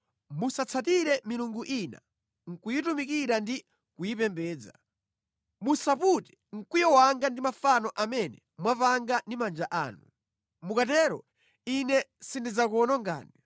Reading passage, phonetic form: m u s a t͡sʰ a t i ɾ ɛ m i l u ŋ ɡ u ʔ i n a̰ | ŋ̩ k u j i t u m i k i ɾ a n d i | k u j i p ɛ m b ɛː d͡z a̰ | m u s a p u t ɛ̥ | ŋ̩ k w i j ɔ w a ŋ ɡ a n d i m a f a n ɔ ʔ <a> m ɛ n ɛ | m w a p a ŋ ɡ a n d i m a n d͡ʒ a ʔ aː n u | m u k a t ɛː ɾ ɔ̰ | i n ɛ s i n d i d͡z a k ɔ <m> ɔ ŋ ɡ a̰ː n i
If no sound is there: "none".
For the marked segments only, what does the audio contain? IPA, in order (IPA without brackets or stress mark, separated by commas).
a, n